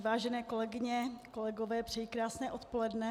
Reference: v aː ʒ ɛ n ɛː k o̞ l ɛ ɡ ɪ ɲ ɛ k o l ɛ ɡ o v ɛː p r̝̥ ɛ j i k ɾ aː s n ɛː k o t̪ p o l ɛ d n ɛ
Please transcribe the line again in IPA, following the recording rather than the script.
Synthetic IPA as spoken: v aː ʒ ɛ n ɛː k o̞ l ɛ ɡ ɪ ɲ ɛ k o l ɛ ɡ o v ɛː p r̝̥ ɛ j i k ɾ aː s n ɛː ʔ o t̪ p o l ɛ d n ɛ